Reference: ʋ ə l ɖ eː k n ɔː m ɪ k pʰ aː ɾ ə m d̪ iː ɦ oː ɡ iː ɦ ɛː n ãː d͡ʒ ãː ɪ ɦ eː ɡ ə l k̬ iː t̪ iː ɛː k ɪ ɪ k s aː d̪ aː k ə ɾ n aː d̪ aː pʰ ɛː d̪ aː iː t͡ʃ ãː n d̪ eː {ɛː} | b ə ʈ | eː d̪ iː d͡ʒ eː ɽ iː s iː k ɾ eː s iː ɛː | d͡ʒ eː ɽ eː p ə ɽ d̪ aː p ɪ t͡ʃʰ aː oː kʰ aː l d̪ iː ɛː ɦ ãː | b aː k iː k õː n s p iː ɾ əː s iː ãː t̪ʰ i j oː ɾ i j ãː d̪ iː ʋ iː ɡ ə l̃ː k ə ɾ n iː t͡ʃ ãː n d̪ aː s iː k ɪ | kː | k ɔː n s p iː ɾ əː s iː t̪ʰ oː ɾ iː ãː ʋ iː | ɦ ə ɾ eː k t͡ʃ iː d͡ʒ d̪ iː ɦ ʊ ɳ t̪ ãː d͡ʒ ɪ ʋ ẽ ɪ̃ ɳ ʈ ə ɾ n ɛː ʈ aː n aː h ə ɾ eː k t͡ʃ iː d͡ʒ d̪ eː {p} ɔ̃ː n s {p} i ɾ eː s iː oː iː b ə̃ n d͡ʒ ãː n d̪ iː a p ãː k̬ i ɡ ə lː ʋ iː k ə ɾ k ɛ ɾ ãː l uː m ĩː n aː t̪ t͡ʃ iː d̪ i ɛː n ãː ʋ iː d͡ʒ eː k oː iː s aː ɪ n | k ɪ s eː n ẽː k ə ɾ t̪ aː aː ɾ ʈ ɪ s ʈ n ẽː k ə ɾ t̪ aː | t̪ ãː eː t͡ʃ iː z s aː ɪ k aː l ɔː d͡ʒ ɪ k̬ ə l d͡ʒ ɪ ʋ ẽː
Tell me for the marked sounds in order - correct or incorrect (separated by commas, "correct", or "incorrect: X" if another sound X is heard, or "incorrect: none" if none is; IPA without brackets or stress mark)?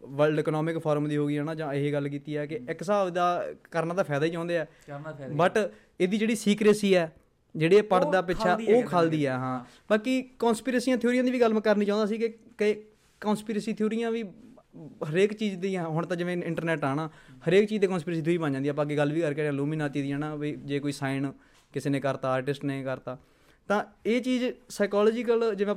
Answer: correct, incorrect: k, correct